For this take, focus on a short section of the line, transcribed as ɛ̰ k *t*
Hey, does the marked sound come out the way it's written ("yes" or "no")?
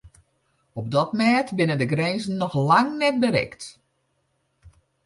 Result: yes